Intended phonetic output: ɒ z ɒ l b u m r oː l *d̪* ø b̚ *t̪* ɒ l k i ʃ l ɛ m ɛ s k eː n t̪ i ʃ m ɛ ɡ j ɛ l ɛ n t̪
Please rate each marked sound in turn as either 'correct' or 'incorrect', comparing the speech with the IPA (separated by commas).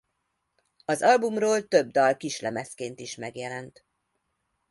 incorrect, incorrect